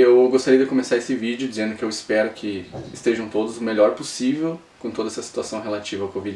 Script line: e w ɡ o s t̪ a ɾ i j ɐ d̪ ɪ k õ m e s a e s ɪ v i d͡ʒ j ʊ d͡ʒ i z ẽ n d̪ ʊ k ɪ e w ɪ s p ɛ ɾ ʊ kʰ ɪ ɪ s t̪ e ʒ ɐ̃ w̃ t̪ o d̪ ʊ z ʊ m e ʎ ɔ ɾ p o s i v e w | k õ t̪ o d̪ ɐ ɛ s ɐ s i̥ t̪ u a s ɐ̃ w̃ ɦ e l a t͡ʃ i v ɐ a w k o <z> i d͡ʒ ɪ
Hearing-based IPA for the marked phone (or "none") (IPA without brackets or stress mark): v